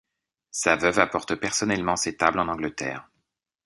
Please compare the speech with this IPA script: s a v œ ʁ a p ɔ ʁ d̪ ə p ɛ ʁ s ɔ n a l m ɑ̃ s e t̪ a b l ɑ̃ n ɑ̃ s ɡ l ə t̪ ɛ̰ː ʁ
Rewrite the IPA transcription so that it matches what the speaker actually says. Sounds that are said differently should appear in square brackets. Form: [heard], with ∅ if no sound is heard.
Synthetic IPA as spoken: s a v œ [v] a p ɔ ʁ [t̪] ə p ɛ ʁ s ɔ n [ɛ] l m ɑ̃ s e t̪ a b l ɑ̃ n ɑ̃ [∅] ɡ l ə t̪ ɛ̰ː ʁ